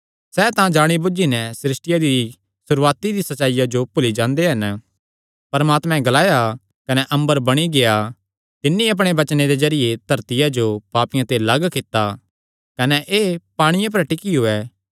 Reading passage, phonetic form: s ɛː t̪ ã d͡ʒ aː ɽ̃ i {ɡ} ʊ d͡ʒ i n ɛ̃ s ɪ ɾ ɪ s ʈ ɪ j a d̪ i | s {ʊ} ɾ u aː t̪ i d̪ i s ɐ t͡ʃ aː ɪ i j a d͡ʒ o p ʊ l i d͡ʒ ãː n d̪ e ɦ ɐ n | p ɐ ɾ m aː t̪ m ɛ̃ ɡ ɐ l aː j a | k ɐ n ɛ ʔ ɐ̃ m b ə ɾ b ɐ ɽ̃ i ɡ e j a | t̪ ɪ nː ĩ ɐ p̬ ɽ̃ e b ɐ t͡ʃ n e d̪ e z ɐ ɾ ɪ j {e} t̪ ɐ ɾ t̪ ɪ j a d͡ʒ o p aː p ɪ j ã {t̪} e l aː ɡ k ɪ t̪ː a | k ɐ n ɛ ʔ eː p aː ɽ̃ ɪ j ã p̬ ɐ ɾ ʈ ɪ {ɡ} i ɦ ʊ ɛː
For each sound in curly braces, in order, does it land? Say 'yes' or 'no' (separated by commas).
no, yes, yes, yes, no